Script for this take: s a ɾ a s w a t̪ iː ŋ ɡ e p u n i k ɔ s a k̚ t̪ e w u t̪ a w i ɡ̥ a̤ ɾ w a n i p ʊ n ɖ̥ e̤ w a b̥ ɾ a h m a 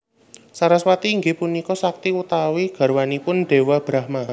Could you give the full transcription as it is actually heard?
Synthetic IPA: s a ɾ a s w a t̪ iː ŋ ɡ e p u n i k ɔ s a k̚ t̪ i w u t̪ a w i ɡ̥ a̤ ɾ w a n i p ʊ n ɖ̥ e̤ w a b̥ ɾ a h m a